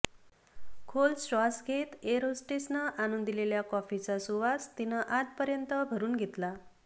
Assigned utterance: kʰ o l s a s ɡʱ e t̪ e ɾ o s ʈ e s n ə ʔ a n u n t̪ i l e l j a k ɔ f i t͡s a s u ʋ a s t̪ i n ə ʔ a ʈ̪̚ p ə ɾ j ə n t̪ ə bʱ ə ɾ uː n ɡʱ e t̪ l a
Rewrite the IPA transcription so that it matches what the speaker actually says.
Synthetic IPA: kʰ o l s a s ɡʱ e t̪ e ɾ o s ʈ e s n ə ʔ a n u n d̪ i l e l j a k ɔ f i t͡s a s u ʋ a s t̪ i n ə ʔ a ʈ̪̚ p ə ɾ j ə n t̪ ə bʱ ə ɾ uː n ɡʱ e t̪ l a